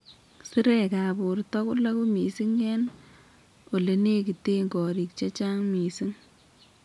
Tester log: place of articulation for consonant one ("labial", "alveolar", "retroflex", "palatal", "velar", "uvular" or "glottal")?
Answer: alveolar